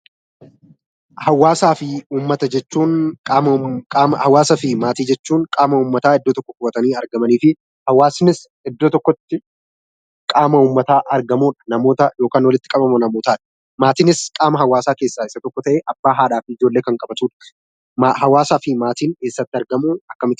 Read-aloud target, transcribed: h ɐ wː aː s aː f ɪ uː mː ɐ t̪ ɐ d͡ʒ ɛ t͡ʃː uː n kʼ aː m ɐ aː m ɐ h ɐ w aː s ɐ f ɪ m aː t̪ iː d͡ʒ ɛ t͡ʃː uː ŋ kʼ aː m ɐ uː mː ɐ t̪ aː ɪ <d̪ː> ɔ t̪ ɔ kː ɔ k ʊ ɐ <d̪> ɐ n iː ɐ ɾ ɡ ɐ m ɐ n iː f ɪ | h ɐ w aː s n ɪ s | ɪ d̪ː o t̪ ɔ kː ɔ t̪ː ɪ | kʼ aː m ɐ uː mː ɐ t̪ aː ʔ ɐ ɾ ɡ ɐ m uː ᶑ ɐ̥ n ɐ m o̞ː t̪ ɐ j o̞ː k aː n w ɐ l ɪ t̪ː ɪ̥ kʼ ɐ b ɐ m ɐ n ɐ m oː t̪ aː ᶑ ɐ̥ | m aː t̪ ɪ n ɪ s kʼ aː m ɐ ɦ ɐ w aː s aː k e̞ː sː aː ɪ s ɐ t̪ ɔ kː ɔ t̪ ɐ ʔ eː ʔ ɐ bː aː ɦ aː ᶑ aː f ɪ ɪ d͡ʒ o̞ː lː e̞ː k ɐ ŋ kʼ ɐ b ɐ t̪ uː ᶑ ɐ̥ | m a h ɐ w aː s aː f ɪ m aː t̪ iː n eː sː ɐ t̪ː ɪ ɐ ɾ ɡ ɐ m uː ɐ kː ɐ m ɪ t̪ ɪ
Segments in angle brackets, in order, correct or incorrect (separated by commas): correct, incorrect